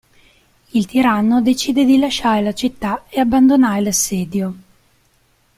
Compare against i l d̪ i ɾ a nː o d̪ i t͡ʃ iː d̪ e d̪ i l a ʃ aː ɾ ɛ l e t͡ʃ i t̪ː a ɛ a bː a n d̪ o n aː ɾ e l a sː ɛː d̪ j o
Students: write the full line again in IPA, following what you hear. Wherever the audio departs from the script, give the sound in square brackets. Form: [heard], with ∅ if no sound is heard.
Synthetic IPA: i l [t̪] i ɾ a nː o d̪ [e] t͡ʃ iː d̪ e d̪ i l a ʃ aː ɾ [e] l [a] t͡ʃ i t̪ː a [e] a bː a n d̪ o n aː ɾ e l a sː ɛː d̪ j o